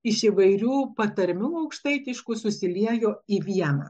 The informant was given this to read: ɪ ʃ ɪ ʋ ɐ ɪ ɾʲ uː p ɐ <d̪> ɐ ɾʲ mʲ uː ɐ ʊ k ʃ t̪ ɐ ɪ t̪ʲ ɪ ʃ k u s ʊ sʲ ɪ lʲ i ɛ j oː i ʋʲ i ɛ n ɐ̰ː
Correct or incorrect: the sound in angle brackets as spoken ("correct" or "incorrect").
incorrect